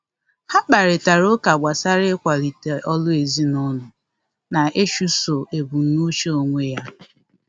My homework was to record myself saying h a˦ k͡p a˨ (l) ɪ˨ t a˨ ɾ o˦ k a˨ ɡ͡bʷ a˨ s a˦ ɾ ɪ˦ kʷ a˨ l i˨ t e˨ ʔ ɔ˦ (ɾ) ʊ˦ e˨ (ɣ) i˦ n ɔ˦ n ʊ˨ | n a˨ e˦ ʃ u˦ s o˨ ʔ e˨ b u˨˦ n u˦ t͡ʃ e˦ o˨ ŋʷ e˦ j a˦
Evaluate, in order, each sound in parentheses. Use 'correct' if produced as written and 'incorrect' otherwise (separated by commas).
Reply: incorrect, incorrect, incorrect